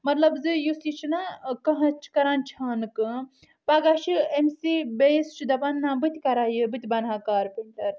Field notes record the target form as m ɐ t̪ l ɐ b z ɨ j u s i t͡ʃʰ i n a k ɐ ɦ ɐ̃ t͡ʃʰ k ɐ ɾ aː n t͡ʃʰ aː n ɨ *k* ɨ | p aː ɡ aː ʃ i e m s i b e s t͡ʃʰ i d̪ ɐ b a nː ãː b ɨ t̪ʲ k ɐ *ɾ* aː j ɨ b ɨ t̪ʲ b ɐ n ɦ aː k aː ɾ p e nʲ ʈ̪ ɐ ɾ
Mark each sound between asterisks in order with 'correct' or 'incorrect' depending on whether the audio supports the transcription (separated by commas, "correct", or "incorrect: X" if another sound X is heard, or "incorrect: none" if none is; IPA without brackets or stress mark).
correct, correct